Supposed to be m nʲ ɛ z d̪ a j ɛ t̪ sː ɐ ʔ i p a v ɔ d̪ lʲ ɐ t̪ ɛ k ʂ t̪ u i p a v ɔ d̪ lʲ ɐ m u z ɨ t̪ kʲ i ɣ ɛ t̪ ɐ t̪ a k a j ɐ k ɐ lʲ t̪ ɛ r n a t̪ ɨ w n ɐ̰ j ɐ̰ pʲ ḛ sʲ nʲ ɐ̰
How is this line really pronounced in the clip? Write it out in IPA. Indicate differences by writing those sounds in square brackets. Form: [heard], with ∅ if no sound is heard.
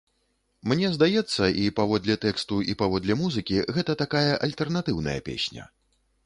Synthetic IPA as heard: m nʲ ɛ z d̪ a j ɛ t̪ sː ɐ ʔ i p a v ɔ d̪ lʲ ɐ t̪ ɛ k [s] t̪ u i p a v ɔ d̪ lʲ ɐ m u z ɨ [∅] kʲ i ɣ ɛ t̪ ɐ t̪ a k a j ɐ [ʔ] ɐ lʲ t̪ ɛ r n a t̪ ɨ w n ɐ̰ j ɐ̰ pʲ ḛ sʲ nʲ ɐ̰